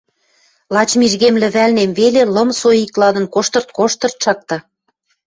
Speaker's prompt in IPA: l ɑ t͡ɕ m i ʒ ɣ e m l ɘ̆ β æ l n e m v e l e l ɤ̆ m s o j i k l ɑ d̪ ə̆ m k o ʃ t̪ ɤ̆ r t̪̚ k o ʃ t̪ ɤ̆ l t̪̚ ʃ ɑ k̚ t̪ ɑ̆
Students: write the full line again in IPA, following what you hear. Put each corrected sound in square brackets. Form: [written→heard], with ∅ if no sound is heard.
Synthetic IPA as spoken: l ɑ t͡ɕ m i ʒ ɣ e m l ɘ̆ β æ l n e m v e l e l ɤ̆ m s o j i k l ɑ d̪ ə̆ [m→n] k o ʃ t̪ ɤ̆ r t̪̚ k o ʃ t̪ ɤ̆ [l→r] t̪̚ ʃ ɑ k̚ t̪ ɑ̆